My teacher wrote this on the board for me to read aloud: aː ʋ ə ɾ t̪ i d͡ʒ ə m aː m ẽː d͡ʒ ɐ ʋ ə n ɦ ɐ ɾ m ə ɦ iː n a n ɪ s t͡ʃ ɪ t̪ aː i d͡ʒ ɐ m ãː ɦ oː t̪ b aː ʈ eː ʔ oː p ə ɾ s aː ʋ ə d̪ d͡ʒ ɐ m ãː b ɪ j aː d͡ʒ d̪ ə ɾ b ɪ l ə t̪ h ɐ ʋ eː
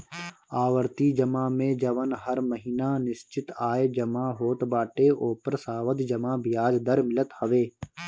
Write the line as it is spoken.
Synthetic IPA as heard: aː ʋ ə ɾ t̪ i d͡ʒ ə m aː m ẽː d͡ʒ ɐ ʋ ə n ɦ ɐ ɾ m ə ɦ iː n a n ɪ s t͡ʃ ɪ t̪ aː e d͡ʒ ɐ m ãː ɦ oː t̪ b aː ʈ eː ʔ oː p ə ɾ s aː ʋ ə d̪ d͡ʒ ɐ m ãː b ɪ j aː d͡ʒ d̪ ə ɾ m ɪ l ə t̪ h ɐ ʋ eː